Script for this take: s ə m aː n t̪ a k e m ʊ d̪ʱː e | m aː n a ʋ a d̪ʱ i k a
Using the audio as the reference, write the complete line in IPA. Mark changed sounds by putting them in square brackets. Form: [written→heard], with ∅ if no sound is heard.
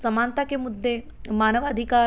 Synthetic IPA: s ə m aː n t̪ a k e m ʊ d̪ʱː e | m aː n [a→ə] ʋ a d̪ʱ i k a